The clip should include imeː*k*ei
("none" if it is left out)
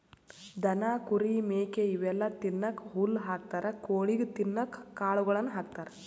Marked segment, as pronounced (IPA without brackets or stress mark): k